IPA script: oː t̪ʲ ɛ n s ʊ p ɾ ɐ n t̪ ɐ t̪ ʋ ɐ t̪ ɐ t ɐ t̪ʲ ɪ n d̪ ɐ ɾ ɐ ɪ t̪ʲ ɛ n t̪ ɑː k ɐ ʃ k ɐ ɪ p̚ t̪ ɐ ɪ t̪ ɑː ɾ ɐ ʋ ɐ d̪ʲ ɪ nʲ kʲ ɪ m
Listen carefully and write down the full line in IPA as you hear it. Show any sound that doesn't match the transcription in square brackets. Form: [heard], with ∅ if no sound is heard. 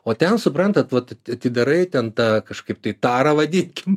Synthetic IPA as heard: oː t̪ʲ ɛ n s ʊ p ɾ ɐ n t̪ ɐ t̪ ʋ ɐ t̪ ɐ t ɐ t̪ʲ ɪ [∅] d̪ ɐ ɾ ɐ ɪ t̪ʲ ɛ n t̪ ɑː k ɐ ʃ k ɐ ɪ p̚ t̪ ɐ ɪ t̪ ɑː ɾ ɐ ʋ ɐ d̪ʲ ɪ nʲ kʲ ɪ m